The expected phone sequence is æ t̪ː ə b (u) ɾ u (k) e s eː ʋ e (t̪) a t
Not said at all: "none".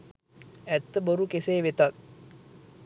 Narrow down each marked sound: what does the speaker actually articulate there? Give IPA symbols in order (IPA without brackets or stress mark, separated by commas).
o, k, t̪